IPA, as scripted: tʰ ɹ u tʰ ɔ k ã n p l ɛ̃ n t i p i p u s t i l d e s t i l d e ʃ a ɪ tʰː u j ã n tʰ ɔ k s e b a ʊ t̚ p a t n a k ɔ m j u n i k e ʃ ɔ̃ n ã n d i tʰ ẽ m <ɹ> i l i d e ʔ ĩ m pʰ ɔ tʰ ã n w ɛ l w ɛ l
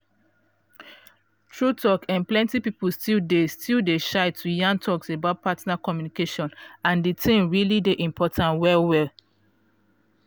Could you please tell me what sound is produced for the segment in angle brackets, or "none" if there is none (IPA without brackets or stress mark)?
ɹ